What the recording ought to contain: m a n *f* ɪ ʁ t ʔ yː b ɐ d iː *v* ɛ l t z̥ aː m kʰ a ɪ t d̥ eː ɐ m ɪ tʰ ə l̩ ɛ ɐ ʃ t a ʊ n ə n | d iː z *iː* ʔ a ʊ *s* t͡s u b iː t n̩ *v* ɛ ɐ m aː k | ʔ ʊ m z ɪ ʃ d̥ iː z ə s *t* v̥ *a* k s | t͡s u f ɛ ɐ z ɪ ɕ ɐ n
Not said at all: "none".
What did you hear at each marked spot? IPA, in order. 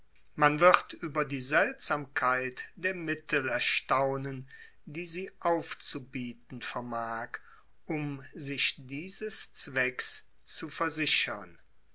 v, z, iː, f, f, t͡s, ɛ

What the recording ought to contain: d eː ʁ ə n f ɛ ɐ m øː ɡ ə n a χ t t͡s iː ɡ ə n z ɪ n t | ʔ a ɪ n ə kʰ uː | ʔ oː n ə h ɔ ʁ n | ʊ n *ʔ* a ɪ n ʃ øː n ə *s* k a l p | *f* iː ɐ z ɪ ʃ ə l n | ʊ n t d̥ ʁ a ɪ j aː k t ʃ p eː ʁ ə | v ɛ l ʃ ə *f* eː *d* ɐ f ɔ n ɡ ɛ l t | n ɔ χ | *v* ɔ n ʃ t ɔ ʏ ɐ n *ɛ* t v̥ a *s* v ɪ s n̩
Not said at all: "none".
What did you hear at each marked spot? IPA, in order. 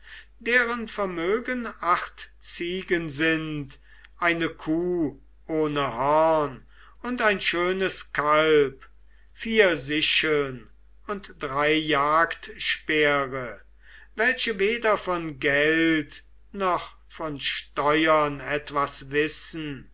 t, s, f, v, d, f, ɛ, s

